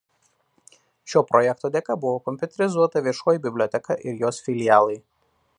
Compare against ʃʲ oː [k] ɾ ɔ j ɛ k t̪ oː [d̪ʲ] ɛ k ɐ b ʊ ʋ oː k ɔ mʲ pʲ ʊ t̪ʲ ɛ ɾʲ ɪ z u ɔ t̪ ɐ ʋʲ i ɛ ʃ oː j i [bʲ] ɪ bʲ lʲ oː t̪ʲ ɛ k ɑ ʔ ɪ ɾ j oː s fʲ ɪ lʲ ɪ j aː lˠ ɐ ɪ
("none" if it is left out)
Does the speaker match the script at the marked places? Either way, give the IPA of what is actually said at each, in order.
p, d̪ʲ, bʲ

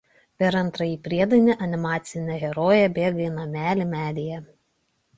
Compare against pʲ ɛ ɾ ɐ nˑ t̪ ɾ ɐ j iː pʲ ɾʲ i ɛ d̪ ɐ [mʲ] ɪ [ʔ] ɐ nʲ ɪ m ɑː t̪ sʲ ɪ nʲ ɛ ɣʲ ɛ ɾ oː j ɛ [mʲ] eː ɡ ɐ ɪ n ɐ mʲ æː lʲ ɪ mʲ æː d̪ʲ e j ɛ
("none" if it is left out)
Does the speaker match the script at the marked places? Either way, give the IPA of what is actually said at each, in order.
nʲ, ʔ, bʲ

